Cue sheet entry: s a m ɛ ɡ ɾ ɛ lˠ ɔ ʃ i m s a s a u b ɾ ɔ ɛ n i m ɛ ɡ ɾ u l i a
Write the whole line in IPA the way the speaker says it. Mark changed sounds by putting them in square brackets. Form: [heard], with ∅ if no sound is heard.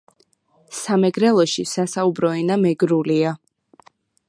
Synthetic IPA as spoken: s a m ɛ ɡ ɾ ɛ lˠ ɔ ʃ i [∅] s a s a u b ɾ ɔ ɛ n [a] m ɛ ɡ ɾ u l i a